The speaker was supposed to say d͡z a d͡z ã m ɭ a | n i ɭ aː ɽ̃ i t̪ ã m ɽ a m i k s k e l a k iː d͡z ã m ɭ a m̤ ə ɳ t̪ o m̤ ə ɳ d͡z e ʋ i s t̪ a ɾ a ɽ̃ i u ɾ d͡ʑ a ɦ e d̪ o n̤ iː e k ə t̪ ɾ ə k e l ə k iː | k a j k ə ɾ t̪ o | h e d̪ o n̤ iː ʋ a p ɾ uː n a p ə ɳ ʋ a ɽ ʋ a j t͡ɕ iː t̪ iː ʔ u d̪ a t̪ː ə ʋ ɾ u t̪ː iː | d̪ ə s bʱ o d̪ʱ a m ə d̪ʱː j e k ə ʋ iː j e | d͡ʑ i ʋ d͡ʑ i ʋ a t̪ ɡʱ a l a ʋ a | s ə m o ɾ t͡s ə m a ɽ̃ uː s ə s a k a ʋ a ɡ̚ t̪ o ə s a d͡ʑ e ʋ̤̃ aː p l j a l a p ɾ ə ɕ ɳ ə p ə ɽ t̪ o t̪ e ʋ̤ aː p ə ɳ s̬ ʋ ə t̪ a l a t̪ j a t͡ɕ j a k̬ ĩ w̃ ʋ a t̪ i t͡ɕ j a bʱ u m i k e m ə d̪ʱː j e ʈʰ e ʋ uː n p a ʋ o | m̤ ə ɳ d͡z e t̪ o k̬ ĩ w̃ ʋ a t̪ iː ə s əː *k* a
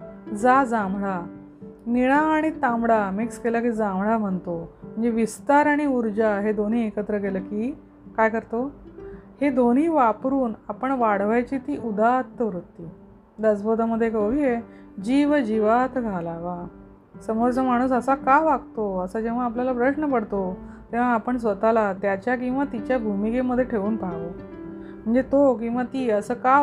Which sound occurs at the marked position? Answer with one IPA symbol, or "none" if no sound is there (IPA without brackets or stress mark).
k